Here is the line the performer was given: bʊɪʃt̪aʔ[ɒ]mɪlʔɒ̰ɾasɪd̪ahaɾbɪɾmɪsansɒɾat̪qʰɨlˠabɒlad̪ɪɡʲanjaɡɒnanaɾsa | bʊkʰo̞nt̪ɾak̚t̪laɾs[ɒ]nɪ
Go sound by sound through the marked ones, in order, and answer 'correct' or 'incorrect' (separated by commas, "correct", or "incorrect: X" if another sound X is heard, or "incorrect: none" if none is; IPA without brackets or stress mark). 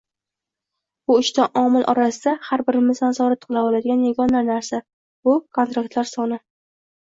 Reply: correct, correct